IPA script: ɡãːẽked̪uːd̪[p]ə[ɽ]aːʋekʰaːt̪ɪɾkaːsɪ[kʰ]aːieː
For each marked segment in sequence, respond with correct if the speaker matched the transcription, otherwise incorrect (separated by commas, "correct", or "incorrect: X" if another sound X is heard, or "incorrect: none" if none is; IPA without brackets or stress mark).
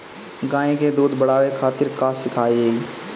incorrect: b, correct, correct